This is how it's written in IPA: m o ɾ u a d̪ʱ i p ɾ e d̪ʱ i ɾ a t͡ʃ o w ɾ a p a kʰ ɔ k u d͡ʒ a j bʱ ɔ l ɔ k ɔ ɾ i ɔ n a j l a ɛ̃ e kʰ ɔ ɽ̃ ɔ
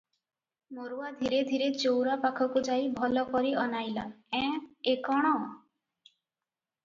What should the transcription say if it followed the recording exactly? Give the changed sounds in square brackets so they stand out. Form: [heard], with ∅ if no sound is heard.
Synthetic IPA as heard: m o ɾ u a d̪ʱ i [∅] ɾ e d̪ʱ i ɾ [e] t͡ʃ o w ɾ a p a kʰ ɔ k u d͡ʒ a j bʱ ɔ l ɔ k ɔ ɾ i ɔ n a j l a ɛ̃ e [k] ɔ ɽ̃ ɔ